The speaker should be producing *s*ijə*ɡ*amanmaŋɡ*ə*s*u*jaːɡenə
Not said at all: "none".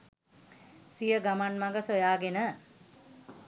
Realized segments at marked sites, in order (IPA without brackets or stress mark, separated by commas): s, ɡ, ə, o